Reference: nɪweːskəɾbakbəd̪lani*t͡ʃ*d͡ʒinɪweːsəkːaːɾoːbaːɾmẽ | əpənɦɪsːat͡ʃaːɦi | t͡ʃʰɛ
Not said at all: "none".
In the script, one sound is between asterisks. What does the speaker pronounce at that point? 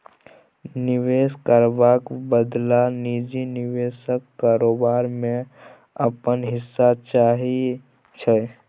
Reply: none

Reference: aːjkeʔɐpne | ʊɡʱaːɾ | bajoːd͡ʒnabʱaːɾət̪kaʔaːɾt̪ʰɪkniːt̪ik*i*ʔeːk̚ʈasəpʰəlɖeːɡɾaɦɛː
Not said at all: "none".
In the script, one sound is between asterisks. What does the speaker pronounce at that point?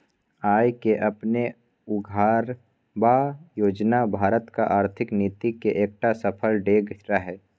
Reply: e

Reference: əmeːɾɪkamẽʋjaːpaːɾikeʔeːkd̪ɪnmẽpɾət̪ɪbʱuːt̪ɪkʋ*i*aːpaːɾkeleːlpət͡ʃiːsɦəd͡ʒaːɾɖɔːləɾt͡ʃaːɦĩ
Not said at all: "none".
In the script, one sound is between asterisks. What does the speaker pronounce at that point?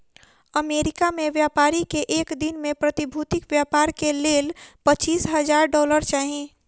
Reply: j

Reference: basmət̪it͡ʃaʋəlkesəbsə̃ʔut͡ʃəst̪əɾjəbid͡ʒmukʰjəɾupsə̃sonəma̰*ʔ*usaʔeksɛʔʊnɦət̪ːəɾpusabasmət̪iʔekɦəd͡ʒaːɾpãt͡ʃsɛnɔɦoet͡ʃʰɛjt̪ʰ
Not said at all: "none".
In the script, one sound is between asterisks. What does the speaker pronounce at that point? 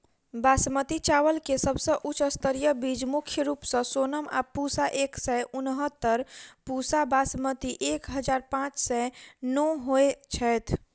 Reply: p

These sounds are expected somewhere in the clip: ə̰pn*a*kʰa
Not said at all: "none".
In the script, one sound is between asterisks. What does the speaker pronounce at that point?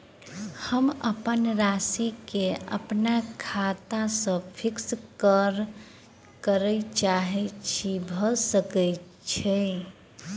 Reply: a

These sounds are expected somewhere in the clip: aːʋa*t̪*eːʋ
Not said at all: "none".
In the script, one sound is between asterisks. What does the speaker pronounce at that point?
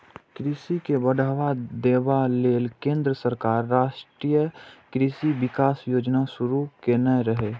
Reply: d̪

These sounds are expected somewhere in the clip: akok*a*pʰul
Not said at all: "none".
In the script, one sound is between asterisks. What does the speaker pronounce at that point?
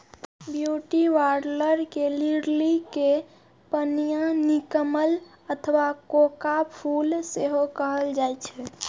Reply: a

